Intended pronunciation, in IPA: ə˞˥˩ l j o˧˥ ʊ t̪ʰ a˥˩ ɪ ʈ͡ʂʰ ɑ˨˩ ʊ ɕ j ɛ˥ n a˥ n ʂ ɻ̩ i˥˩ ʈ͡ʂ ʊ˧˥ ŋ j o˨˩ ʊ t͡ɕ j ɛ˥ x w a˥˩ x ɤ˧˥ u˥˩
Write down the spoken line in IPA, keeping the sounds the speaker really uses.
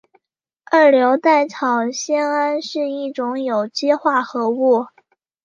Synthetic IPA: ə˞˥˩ l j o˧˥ ʊ t̪ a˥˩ ɪ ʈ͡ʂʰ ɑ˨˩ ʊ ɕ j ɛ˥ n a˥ n ʂ ɻ̩ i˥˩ ʈ͡ʂ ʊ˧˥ ŋ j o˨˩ ʊ t͡ɕ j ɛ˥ x w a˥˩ x ɤ˧˥ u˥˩